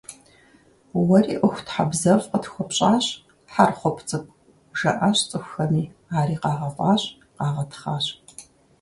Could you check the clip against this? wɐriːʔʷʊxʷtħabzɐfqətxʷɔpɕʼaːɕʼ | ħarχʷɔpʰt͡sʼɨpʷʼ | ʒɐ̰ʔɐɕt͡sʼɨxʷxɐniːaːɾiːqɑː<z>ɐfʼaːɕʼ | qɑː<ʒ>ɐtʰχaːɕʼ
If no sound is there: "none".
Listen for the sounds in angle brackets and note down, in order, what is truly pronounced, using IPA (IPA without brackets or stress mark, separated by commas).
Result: ʁ, ʁ